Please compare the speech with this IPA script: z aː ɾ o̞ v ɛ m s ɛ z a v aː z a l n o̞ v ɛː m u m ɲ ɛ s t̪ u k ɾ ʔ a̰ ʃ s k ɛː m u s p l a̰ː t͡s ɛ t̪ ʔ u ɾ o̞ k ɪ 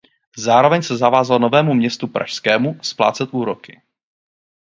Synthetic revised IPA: z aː ɾ o̞ v ɛ ɲ s ɛ z a v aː z a l n o̞ v ɛː m u m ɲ ɛ s t̪ u p ɾ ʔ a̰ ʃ s k ɛː m u s p l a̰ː t͡s ɛ t̪ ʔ uː ɾ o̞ k ɪ